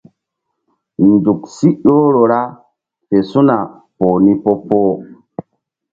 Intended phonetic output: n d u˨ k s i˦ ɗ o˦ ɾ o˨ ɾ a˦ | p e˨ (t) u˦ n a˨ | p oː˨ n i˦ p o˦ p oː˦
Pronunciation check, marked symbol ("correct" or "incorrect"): incorrect